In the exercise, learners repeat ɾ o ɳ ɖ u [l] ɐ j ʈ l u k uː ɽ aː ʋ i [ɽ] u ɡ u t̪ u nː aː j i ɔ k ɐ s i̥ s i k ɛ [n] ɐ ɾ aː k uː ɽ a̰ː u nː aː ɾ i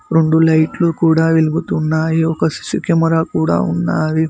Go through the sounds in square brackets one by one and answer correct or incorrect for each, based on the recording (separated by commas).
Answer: correct, incorrect, incorrect